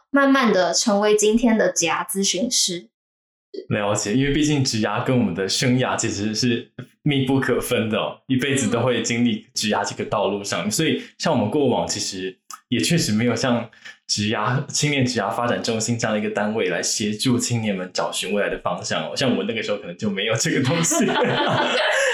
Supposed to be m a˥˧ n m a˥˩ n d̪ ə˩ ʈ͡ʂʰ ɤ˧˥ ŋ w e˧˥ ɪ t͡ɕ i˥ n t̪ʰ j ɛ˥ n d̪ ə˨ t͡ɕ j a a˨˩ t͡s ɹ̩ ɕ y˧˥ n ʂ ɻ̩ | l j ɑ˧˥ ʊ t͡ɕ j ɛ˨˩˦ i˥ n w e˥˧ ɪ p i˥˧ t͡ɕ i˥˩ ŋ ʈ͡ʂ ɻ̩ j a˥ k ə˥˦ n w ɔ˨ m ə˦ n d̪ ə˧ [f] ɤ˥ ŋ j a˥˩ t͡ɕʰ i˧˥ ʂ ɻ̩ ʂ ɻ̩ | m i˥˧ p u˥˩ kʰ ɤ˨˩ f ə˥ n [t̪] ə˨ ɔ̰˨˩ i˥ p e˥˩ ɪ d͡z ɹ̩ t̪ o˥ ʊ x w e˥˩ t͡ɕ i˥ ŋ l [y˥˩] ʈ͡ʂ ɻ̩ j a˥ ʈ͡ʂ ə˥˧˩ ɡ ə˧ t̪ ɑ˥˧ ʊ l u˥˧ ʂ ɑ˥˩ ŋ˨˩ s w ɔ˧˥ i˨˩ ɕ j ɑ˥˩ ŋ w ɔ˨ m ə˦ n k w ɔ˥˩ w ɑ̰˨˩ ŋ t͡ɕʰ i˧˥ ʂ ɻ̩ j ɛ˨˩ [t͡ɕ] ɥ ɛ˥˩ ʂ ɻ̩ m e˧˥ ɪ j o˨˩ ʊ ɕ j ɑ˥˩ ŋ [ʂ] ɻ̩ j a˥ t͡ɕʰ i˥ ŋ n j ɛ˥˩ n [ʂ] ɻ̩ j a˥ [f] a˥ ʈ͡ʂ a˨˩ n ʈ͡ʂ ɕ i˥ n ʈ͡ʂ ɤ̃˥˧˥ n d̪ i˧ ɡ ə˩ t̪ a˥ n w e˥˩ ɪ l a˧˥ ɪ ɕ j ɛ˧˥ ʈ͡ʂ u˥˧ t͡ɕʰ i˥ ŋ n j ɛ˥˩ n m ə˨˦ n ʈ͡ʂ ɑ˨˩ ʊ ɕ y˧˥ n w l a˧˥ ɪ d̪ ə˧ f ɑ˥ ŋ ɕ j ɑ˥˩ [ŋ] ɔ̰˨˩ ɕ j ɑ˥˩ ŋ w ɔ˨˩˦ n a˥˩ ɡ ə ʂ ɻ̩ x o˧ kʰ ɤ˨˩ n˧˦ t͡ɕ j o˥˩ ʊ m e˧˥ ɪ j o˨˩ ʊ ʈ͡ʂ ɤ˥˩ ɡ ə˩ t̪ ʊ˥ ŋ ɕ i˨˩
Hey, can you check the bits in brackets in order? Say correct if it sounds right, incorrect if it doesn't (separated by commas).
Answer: incorrect, incorrect, incorrect, incorrect, incorrect, incorrect, correct, correct